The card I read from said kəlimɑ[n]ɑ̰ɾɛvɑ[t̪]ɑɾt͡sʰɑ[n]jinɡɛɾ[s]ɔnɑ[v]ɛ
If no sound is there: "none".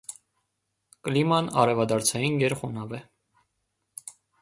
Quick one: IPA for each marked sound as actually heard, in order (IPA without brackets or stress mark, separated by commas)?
n, d̪, none, χ, v